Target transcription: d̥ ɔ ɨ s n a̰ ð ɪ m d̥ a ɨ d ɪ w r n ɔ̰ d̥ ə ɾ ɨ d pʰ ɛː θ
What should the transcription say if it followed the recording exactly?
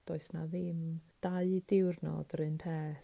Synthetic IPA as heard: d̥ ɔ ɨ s n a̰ ð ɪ m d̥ a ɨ d ɪ w r n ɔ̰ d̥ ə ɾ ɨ n pʰ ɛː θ